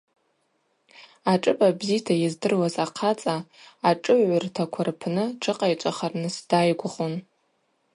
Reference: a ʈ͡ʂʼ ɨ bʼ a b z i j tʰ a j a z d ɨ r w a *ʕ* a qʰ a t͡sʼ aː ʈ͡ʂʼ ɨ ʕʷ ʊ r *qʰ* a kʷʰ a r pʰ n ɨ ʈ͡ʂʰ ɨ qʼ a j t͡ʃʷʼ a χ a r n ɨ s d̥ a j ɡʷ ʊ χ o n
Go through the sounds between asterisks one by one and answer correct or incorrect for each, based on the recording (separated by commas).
incorrect, incorrect